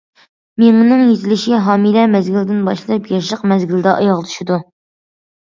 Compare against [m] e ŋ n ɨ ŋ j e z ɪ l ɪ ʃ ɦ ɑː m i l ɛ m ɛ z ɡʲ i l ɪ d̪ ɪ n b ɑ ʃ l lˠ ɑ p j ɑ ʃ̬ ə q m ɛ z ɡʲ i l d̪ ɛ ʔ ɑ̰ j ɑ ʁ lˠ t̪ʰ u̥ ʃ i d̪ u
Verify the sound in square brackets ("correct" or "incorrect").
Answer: correct